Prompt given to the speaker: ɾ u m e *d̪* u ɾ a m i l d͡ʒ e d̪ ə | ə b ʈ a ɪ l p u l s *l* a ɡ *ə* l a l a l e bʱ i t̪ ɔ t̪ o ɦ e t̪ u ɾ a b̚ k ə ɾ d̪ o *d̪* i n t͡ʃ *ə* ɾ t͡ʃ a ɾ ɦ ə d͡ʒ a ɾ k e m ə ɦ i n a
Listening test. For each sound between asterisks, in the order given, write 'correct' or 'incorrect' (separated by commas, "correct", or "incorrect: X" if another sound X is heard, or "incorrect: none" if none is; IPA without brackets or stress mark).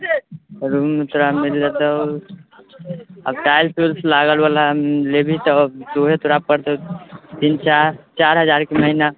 incorrect: t̪, correct, correct, incorrect: t̪, incorrect: a